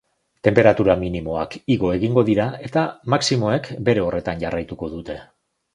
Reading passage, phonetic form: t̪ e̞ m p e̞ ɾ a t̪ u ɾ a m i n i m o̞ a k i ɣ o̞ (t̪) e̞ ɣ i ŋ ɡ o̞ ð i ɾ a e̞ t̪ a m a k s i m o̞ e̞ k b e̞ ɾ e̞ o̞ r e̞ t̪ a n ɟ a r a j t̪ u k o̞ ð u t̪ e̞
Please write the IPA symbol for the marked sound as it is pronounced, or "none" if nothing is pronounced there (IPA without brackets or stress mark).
none